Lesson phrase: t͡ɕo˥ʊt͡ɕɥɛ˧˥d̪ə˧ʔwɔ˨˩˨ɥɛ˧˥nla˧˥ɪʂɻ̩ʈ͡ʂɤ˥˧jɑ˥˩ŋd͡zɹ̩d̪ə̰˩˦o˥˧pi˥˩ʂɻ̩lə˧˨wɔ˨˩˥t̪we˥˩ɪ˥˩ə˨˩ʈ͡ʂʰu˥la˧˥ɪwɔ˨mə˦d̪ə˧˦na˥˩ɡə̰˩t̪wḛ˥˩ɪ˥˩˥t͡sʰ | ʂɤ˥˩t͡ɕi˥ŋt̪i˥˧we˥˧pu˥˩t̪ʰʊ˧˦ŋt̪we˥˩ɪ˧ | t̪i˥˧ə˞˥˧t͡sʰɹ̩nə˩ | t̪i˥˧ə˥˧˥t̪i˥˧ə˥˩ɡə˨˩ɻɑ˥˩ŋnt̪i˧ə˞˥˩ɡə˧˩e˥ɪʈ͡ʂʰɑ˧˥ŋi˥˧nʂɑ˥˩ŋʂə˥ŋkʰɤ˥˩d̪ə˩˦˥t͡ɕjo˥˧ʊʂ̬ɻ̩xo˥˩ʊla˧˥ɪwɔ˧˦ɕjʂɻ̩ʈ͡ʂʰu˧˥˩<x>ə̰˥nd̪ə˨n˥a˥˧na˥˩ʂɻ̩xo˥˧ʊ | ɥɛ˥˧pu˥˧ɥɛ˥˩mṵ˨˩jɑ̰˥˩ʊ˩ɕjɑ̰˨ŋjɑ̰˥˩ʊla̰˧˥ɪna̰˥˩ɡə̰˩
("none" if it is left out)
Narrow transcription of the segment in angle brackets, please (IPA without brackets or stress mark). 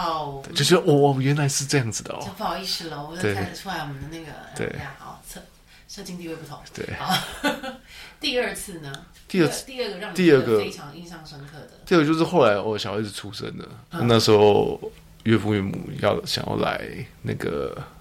ʂ